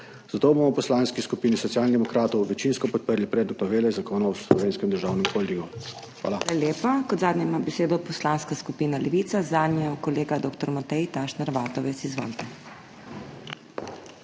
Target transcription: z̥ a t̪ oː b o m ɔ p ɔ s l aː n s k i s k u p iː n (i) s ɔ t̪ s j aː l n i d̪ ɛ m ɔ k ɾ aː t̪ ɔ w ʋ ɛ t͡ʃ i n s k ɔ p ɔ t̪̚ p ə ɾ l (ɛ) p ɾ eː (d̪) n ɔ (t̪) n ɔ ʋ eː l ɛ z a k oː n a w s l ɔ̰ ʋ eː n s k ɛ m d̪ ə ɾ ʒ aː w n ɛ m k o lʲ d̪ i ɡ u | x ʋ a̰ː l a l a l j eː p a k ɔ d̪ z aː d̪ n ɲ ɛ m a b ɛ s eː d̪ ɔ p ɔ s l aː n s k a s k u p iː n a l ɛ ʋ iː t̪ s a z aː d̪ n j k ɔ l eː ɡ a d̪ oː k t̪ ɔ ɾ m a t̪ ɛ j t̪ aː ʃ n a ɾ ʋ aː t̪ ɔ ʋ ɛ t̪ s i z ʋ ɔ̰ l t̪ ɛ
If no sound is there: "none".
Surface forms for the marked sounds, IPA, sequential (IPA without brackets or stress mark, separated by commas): i, i, d̪, t̪